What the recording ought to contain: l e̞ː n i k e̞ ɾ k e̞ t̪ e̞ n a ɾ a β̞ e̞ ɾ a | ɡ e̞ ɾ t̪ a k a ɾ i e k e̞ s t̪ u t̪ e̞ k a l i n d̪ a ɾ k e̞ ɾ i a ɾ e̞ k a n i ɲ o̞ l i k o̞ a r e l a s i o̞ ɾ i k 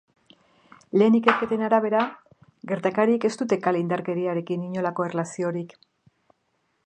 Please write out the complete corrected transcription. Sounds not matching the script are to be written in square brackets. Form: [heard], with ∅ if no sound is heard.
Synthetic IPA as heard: l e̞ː n i k e̞ ɾ k e̞ t̪ e̞ n a ɾ a β̞ e̞ ɾ a | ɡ e̞ ɾ t̪ a k a ɾ i e k e̞ s t̪ u t̪ e̞ k a l i n d̪ a ɾ k e̞ ɾ i a ɾ e̞ k [i] n i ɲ o̞ l [a] k o̞ [e] r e l a s i o̞ ɾ i k

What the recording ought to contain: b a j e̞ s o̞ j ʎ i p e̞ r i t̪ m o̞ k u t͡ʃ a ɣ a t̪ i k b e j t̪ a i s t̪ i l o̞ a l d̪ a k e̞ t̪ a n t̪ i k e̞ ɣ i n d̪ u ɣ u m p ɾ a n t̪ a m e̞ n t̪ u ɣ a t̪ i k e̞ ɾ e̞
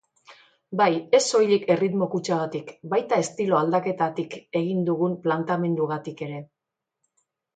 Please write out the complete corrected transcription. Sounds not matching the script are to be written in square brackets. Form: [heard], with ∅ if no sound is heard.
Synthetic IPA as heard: b a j e̞ s o̞ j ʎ i [k] e̞ r i t̪ m o̞ k u t͡ʃ a ɣ a t̪ i k b [a] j t̪ a [e] s t̪ i l o̞ a l d̪ a k e̞ t̪ a [∅] t̪ i k e̞ ɣ i n d̪ u ɣ u m p [l] a n t̪ a m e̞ n [d̪] u ɣ a t̪ i k e̞ ɾ e̞

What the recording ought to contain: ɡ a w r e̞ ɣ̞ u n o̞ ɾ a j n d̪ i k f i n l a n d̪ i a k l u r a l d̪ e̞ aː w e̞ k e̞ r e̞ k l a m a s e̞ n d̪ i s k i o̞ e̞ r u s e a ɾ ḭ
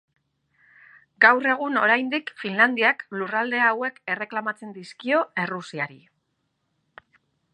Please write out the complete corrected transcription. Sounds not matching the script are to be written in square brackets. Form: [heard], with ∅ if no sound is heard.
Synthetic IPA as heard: ɡ a w r e̞ ɣ̞ u n o̞ ɾ a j n d̪ i k f i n l a n d̪ i a k l u r a l d̪ e̞ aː w e̞ k e̞ r e̞ k l a m a [t͡s] e̞ n d̪ i s k i o̞ e̞ r u s [i] a ɾ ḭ

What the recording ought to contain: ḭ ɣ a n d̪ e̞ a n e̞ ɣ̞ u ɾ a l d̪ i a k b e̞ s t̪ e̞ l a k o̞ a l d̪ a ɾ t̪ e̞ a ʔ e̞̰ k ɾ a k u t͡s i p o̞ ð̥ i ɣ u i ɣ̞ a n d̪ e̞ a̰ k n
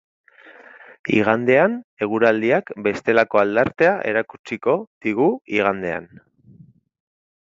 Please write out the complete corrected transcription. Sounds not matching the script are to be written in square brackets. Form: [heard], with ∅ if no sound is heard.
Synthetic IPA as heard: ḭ ɣ a n d̪ e̞ a n e̞ ɣ̞ u ɾ a l d̪ i a k b e̞ s t̪ e̞ l a k o̞ a l d̪ a ɾ t̪ e̞ a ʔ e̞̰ [∅] ɾ a k u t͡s i [k] o̞ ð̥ i ɣ u i ɣ̞ a n d̪ e̞ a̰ [∅] n

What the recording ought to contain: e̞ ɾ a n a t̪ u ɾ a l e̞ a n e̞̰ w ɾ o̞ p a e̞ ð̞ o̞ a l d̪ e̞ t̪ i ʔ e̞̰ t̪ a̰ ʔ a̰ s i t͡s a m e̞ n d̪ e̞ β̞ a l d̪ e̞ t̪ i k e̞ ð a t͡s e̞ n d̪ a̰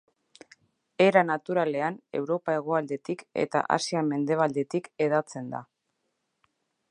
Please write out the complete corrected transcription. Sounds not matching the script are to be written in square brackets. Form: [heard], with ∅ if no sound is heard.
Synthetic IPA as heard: e̞ ɾ a n a t̪ u ɾ a l e̞ a n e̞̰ w ɾ o̞ p a e̞ [ɣ̞] o̞ a l d̪ e̞ t̪ i [k] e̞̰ t̪ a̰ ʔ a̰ s i [∅] a m e̞ n d̪ e̞ β̞ a l d̪ e̞ t̪ i k e̞ ð a t͡s e̞ n d̪ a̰

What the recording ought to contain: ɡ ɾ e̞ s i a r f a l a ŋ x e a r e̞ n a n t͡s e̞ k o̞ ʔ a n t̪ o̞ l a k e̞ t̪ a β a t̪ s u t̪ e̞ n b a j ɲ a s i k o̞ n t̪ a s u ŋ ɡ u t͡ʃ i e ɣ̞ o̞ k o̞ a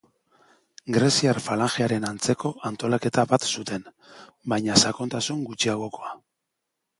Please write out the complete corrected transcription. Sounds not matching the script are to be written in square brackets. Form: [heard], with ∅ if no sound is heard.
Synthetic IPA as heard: ɡ ɾ e̞ s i a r f a l a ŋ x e a [ɾ] e̞ n a n t͡s e̞ k o̞ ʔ a n t̪ o̞ l a k e̞ t̪ a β a t̪ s u t̪ e̞ n b a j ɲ a s [a] k o̞ n t̪ a s u ŋ ɡ u t͡ʃ i [a] ɣ̞ o̞ k o̞ a

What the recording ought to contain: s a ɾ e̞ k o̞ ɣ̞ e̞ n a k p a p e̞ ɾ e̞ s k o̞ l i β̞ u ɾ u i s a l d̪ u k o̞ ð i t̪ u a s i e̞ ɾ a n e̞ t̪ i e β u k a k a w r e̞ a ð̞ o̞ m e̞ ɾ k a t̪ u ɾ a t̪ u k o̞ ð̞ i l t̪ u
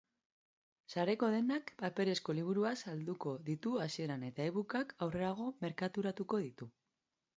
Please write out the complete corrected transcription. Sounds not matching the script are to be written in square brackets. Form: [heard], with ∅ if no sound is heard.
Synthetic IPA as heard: s a ɾ e̞ k o̞ [ð̞] e̞ n a k p a p e̞ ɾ e̞ s k o̞ l i β̞ u ɾ u [a] s a l d̪ u k o̞ ð i t̪ u a s i e̞ ɾ a n e̞ t̪ [a] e β u k a k a w r e̞ a [ɣ̞] o̞ m e̞ ɾ k a t̪ u ɾ a t̪ u k o̞ ð̞ i [∅] t̪ u

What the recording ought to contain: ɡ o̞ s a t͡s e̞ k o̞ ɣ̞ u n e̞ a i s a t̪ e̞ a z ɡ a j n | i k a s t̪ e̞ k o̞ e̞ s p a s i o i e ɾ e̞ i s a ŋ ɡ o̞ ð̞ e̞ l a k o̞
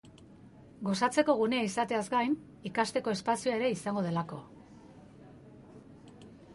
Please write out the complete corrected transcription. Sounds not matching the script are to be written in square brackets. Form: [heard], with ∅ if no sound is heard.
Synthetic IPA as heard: ɡ o̞ s a t͡s e̞ k o̞ ɣ̞ u n e̞ a i s a t̪ e̞ a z ɡ a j n | i k a s t̪ e̞ k o̞ e̞ s p a s i o [a] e ɾ e̞ i s a ŋ ɡ o̞ ð̞ e̞ l a k o̞

